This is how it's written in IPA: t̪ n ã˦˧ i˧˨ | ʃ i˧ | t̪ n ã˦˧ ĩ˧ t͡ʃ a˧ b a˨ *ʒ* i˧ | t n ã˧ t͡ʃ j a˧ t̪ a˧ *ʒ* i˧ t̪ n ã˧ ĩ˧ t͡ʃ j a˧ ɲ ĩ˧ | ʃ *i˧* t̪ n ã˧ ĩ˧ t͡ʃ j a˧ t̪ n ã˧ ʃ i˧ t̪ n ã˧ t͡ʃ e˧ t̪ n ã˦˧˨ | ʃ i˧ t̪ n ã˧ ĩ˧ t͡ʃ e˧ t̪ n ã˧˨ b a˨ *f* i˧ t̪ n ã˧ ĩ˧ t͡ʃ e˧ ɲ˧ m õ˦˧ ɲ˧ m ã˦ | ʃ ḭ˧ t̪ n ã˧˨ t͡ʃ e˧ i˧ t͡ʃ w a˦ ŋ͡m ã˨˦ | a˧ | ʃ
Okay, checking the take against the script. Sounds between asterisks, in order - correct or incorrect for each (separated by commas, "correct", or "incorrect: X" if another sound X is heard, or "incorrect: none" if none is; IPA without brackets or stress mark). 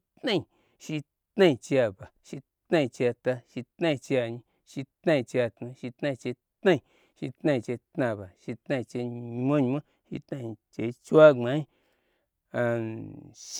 incorrect: ʃ, incorrect: ʃ, correct, incorrect: ʃ